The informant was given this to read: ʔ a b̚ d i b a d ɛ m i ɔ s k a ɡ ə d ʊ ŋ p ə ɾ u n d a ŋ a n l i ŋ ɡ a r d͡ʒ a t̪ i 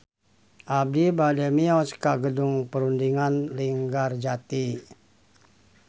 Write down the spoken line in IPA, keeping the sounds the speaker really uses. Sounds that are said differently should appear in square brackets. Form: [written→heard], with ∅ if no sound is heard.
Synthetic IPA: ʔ a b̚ d i b a d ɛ m i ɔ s k a ɡ ə d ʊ ŋ p ə ɾ u n d [a→i] ŋ a n l i ŋ ɡ a r d͡ʒ a t̪ i